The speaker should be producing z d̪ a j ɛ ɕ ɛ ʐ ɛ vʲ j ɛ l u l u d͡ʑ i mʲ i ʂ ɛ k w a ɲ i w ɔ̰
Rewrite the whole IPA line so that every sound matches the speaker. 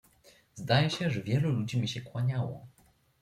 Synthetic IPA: z d̪ a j ɛ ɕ ɛ ʐ ɛ vʲ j ɛ l u l u d͡ʑ i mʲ i ɕ ɛ k w a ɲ a w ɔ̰

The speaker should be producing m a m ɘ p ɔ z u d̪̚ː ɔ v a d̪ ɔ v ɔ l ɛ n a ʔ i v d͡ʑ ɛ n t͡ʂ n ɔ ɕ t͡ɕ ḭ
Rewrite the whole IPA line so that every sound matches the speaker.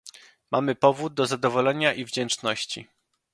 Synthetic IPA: m a m ɘ p ɔ v u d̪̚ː ɔ z a d̪ ɔ v ɔ l ɛ ɲ a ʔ i v d͡ʑ ɛ n t͡ʂ n ɔ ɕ t͡ɕ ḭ

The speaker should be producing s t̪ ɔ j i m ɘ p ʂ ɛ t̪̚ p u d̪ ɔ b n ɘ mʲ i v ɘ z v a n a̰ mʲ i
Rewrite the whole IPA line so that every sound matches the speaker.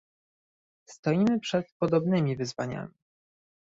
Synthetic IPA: s t̪ ɔ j i m ɘ p ʂ ɛ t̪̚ p ɔ d̪ ɔ b n ɘ mʲ i v ɘ z v a ɲ a̰ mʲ i

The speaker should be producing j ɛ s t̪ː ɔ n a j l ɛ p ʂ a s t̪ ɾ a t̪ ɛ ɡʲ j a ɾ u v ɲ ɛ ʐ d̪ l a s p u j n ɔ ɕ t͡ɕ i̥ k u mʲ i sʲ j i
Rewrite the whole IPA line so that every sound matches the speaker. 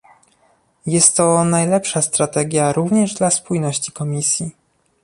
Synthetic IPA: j ɛ s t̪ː ɔ n a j l ɛ p ʂ a s t̪ ɾ a t̪ ɛ ɡʲ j a ɾ u v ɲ ɛ ʐ d̪ l a s p u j n ɔ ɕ t͡ɕ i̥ k ɔ mʲ i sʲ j i

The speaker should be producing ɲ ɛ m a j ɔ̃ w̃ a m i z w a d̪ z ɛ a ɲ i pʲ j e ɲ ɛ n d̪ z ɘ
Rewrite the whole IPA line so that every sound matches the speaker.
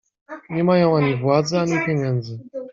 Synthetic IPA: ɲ ɛ m a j ɔ̃ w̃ a ɲ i v w a d̪ z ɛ a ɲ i pʲ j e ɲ ɛ n d̪ z ɘ

